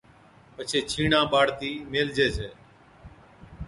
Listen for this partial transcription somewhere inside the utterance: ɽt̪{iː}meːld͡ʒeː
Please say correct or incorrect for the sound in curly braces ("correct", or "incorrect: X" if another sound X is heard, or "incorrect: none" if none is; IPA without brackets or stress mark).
correct